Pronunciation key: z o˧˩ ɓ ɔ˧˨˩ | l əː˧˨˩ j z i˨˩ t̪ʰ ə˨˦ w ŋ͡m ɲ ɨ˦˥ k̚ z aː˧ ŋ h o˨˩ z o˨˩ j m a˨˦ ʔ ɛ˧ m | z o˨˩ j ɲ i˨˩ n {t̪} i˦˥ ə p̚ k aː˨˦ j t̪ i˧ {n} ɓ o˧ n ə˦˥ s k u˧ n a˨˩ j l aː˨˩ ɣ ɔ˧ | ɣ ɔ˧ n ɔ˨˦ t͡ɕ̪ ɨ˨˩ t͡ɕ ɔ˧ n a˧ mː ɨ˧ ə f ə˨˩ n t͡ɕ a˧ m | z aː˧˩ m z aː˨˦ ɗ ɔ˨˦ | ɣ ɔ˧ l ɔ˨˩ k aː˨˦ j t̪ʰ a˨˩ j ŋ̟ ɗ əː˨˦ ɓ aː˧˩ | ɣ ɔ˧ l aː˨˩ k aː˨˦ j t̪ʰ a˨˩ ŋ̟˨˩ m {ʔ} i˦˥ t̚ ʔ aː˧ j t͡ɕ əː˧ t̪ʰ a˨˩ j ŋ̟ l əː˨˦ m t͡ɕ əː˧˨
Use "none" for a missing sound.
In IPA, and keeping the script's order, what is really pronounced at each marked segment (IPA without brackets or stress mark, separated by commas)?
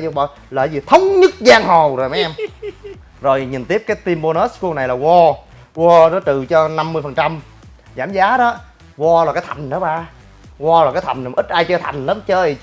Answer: t̪, m, ʔ